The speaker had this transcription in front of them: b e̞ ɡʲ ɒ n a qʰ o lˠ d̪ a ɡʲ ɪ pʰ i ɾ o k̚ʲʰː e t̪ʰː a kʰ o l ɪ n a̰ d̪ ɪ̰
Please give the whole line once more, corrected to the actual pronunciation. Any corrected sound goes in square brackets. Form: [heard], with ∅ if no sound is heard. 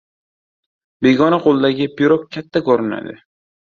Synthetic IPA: b e̞ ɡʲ ɒ n a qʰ o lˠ d̪ a ɡʲ ɪ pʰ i ɾ o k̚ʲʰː [a] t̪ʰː a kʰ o [ɾ] ɪ n a̰ d̪ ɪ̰